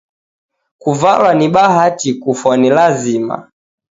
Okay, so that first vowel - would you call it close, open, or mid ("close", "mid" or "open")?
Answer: close